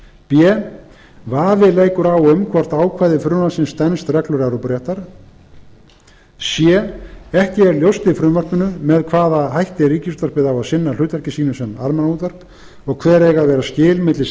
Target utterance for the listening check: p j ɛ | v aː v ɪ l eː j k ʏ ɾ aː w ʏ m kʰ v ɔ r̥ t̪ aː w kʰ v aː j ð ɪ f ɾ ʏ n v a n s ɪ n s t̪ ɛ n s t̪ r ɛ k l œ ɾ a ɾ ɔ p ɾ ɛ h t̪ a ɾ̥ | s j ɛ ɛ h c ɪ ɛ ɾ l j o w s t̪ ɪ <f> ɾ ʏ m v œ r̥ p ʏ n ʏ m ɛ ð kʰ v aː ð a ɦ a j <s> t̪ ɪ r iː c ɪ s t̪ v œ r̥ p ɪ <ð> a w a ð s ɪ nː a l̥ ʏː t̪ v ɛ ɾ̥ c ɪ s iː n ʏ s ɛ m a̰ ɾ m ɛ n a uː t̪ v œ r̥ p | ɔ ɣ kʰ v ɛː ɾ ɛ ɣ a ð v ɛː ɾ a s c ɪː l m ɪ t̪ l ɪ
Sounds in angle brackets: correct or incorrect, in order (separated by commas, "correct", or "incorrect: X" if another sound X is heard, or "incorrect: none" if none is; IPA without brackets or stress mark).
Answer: correct, incorrect: h, correct